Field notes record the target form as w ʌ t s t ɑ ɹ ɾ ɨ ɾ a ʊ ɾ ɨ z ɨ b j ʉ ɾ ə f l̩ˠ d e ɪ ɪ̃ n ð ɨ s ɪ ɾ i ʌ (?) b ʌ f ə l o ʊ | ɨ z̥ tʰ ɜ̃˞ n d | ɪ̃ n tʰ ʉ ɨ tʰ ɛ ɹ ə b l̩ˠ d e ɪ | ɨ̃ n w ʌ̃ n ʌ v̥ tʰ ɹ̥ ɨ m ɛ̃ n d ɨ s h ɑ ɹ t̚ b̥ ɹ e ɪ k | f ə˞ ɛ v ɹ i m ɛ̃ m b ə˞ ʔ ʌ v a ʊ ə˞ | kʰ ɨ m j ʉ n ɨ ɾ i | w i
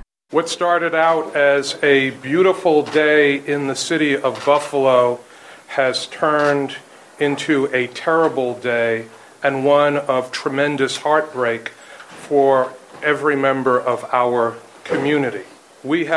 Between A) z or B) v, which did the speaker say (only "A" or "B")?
B